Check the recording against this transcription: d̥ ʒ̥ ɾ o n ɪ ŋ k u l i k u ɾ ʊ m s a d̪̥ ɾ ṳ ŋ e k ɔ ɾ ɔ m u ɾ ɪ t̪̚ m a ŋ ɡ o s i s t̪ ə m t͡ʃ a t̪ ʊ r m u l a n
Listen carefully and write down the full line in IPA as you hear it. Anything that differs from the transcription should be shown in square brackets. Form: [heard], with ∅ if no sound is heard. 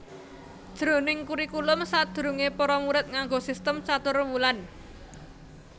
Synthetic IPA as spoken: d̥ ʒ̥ ɾ o n ɪ ŋ k u [ɾ] i k u [l] ʊ m s a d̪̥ ɾ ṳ ŋ e [p] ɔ ɾ ɔ m u ɾ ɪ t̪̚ [ŋ] a ŋ ɡ o s i s t̪ ə m t͡ʃ a t̪ ʊ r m u l a n